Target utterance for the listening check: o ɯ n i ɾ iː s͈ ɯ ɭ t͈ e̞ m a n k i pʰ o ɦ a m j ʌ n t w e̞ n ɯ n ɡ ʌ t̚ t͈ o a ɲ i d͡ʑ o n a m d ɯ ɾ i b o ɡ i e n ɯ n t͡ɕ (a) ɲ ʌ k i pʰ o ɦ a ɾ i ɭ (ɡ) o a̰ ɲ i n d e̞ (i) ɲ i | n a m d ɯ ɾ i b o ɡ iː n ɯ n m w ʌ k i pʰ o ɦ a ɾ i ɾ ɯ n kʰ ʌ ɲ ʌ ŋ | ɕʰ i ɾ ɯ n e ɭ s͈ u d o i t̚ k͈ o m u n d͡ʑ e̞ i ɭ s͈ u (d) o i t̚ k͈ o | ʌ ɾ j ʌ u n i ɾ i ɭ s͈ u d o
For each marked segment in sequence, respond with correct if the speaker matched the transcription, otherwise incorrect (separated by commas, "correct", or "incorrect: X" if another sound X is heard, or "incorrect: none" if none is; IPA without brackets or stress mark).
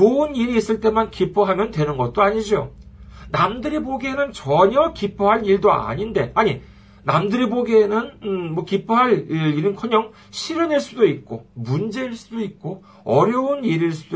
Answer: incorrect: ʌ, incorrect: d, incorrect: a, correct